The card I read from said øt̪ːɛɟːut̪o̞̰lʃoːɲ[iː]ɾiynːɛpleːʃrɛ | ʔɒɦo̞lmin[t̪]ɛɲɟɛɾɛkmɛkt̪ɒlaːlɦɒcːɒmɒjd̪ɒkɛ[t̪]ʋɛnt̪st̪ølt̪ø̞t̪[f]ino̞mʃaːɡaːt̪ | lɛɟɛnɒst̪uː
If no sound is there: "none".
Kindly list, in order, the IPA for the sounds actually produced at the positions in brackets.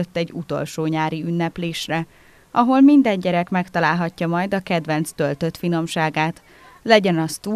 aː, d̪, d̪, f

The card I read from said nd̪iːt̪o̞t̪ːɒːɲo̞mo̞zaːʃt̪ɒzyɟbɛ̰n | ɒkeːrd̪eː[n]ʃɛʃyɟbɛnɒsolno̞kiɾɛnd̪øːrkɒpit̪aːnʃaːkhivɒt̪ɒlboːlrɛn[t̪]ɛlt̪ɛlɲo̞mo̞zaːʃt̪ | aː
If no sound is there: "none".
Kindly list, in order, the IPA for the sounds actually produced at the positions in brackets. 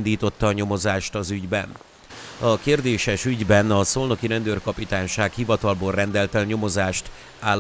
none, d̪

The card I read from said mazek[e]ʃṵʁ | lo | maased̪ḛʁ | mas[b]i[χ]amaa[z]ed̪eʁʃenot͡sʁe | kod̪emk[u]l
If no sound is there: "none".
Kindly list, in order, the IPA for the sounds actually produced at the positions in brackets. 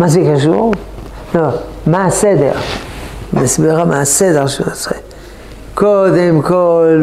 a, b, ʁ, s, o

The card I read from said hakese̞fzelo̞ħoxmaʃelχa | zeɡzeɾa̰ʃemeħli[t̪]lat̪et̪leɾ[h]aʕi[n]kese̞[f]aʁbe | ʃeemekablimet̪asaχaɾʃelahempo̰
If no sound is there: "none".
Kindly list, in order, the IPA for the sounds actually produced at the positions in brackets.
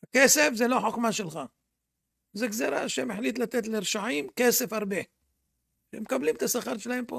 t̪, ʃ, m, f

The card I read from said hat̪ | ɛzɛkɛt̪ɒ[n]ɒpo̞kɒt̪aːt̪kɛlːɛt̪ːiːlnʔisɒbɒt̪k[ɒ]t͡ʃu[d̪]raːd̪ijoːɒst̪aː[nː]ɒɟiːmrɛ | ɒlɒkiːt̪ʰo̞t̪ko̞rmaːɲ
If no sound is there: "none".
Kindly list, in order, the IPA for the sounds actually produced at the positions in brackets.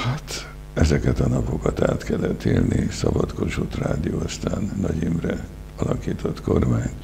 n, o, t̪, nː

